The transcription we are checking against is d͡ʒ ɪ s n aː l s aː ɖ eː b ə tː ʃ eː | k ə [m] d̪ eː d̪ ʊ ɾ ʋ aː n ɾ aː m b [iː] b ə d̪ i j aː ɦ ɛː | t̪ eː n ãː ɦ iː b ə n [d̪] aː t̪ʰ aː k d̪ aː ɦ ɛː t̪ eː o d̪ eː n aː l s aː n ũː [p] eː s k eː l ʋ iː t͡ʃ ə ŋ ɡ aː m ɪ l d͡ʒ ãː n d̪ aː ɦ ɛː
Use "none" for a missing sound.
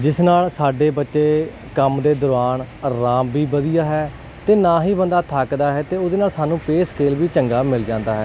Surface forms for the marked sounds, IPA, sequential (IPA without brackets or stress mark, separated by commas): m, iː, d̪, p